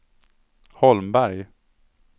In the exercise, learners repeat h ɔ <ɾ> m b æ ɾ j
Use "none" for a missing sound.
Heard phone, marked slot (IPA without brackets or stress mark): l